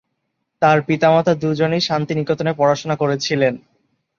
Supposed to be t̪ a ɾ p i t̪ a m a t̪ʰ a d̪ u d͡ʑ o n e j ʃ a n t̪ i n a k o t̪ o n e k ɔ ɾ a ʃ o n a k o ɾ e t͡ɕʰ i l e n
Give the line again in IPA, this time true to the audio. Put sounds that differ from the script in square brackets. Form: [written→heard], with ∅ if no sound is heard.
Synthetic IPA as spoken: t̪ a ɾ p i t̪ a m a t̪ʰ a d̪ u d͡ʑ o n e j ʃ a n t̪ i n [a→i] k o t̪ o n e [k→p] ɔ ɾ a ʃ o n a k o ɾ e t͡ɕʰ i l e n